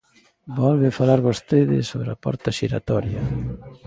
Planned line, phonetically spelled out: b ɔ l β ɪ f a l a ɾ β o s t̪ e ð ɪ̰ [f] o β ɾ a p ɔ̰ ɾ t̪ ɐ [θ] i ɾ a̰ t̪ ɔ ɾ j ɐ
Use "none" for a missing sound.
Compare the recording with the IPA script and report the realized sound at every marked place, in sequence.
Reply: s, ʃ

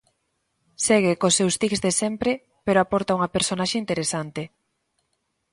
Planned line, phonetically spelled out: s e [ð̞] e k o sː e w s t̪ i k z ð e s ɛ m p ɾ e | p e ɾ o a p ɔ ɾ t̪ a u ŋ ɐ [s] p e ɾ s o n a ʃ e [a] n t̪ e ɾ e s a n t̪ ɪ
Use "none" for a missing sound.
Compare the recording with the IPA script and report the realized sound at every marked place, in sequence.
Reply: ɣ̞, none, i

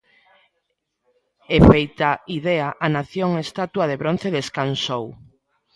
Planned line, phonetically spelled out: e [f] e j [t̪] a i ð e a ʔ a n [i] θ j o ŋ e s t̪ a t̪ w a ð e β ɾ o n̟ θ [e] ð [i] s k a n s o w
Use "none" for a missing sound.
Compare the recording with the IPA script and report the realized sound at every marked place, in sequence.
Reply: f, t̪, a, e, e

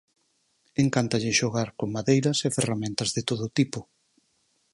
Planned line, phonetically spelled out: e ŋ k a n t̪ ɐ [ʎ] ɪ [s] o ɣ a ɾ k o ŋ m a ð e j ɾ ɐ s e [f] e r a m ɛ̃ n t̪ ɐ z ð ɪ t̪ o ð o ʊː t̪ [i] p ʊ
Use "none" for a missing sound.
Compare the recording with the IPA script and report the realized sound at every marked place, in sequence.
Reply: ʎ, ʃ, f, i

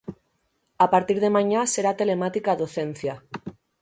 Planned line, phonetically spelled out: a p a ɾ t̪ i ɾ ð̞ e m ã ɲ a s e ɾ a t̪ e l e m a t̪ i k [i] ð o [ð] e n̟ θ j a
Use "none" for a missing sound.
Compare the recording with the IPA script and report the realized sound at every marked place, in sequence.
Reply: a, θ

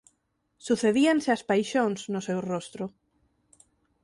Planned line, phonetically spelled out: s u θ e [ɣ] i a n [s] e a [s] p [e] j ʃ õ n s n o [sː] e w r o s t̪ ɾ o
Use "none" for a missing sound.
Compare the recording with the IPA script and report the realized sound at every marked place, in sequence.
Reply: ð, s, s, a, s

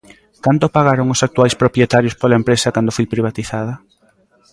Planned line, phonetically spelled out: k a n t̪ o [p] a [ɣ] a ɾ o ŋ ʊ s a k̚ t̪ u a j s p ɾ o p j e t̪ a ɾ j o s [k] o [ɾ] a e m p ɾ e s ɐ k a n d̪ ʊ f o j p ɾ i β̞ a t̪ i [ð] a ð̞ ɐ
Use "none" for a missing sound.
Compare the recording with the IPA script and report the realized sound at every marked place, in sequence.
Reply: p, ɣ, p, l, θ

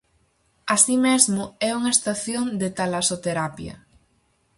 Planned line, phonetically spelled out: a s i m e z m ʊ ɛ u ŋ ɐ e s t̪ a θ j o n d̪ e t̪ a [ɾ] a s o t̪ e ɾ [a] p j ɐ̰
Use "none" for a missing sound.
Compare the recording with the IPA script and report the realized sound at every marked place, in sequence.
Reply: l, a

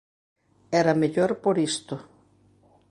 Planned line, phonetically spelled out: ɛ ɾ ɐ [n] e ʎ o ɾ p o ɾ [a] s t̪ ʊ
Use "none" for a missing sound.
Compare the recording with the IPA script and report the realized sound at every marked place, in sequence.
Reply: m, i

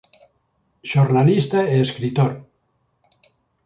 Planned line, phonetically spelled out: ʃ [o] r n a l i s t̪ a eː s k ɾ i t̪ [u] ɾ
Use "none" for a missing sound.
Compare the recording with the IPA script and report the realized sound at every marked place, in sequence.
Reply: o, o

